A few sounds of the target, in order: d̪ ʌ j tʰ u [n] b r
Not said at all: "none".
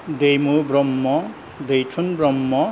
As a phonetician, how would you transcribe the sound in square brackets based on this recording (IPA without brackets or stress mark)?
n